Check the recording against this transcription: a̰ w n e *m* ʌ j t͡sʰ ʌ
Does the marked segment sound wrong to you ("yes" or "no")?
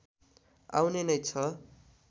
yes